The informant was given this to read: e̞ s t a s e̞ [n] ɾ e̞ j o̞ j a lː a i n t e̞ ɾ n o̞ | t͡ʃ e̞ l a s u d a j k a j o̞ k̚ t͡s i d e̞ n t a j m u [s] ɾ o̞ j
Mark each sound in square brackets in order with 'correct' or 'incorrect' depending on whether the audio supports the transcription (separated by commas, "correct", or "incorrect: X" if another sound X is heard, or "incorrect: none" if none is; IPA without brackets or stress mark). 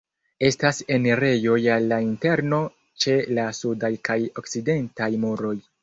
correct, incorrect: none